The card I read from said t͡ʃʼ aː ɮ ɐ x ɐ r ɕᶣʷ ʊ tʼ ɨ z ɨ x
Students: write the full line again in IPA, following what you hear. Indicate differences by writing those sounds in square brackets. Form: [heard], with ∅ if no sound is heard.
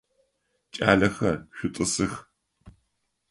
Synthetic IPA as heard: t͡ʃʼ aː ɮ ɐ x ɐ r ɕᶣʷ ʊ tʼ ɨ [s] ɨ x